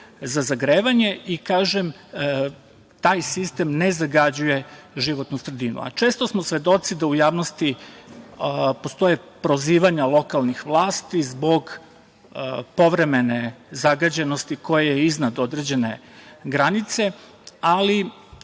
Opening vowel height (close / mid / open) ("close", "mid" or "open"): open